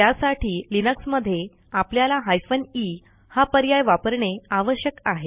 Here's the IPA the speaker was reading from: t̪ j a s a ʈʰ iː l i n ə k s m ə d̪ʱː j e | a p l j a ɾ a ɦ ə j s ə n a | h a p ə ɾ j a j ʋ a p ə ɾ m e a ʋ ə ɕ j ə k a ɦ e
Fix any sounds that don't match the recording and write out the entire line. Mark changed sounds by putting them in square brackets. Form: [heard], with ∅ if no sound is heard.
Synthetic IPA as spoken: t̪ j a s a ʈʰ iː l i n ə k s m ə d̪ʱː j e | a p l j a [l] a ɦ [a] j [f] ə n [i] | h a p ə ɾ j a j ʋ a p ə ɾ [ɳ] e a ʋ ə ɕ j ə k a ɦ e